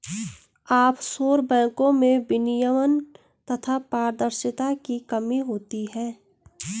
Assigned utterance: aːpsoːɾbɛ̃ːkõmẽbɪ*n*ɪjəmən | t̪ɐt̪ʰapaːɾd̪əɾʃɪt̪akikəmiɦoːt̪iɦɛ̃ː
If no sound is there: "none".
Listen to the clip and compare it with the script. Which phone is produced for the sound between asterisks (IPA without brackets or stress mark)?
n